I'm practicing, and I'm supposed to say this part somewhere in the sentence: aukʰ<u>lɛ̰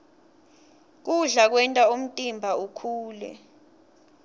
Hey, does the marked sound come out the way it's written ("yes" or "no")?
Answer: no